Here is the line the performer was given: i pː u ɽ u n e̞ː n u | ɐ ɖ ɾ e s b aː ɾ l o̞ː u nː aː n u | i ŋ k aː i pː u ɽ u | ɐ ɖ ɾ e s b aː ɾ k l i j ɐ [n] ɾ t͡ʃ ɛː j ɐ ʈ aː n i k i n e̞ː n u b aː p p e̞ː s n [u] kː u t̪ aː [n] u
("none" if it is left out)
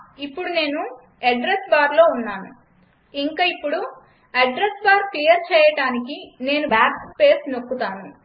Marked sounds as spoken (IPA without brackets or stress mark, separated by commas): none, o, n